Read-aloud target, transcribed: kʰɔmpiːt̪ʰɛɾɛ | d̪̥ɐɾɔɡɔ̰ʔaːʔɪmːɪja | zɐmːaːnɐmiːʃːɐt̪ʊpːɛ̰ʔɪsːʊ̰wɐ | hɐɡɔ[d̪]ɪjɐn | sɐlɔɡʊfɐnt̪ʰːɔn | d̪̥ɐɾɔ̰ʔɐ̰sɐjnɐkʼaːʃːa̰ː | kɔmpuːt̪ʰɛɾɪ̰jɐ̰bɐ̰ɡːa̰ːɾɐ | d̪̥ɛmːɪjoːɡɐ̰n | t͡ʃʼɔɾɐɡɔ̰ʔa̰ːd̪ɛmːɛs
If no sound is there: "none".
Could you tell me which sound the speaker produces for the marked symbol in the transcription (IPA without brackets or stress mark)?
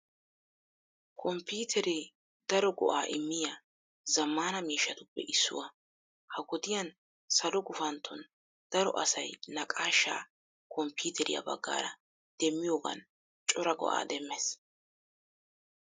d̪